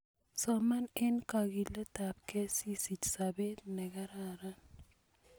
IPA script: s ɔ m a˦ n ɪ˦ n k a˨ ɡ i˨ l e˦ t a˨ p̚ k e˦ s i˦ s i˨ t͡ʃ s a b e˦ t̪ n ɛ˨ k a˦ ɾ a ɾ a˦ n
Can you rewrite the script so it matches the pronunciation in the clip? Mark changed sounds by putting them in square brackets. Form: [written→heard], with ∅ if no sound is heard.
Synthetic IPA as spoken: s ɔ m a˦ n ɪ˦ n k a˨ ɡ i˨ l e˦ t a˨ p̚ k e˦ s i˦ s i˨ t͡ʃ s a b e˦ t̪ n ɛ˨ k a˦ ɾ a ɾ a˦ n